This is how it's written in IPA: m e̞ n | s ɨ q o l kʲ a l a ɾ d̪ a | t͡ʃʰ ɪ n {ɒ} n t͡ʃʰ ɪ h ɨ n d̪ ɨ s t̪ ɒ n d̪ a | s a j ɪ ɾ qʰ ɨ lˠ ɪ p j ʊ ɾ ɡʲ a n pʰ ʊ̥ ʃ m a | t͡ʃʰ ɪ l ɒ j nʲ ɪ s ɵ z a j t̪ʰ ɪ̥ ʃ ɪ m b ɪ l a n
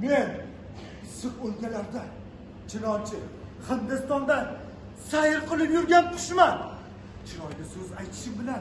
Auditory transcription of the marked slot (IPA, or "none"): ɒ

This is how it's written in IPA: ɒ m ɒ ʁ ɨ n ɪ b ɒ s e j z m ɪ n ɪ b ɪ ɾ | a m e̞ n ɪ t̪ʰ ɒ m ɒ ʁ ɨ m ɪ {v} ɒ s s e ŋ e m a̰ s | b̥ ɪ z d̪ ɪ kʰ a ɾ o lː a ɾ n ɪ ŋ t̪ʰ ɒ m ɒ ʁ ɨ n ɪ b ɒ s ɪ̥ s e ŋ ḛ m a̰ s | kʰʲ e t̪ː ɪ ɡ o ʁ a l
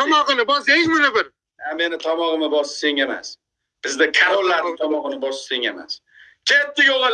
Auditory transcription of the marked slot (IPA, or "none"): b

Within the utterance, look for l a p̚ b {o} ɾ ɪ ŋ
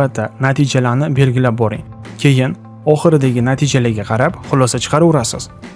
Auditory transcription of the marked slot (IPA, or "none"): ɒ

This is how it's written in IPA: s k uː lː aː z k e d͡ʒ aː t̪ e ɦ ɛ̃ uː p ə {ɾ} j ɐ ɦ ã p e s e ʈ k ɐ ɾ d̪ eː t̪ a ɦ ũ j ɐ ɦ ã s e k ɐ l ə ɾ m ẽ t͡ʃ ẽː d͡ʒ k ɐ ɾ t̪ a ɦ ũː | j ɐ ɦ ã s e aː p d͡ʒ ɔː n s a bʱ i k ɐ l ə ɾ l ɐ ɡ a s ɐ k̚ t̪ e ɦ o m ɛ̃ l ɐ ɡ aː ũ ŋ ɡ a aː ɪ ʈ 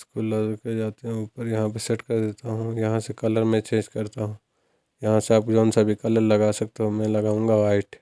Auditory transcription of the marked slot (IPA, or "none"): ɾ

